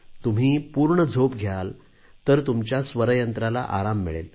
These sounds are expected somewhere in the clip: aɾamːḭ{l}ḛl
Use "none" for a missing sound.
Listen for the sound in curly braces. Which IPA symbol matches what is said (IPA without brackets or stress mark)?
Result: ɭ